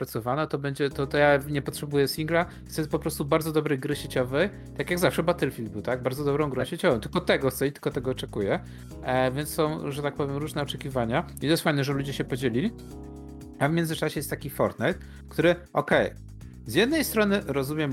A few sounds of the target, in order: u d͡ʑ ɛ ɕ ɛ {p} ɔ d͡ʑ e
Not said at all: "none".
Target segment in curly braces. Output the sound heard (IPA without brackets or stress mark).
p